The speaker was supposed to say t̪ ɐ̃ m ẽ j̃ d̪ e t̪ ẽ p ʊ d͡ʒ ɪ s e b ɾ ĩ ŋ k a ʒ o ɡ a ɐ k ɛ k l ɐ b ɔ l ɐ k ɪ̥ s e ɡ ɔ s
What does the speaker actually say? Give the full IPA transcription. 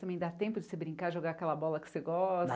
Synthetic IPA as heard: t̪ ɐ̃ m ẽ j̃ d̪ a t̪ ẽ p ʊ d͡ʒ ɪ s e b ɾ ĩ ŋ k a ʒ o ɡ a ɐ k ɛ l ɐ b ɔ l ɐ k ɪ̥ s e ɡ ɔ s